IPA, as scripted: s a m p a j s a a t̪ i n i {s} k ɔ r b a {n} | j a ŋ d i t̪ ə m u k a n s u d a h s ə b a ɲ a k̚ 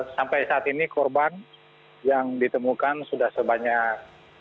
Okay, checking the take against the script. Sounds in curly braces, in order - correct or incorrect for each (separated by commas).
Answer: incorrect, correct